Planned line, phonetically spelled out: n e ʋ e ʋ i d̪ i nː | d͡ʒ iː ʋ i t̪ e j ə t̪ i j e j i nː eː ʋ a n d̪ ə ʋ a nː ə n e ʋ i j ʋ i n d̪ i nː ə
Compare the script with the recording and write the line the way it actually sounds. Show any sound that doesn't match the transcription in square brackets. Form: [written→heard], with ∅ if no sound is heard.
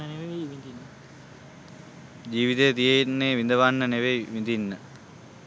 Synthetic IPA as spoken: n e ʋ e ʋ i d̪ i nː | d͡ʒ iː ʋ i t̪ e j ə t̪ i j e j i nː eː ʋ [a→i] n d̪ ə ʋ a nː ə n e ʋ [i→e] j ʋ i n d̪ i nː ə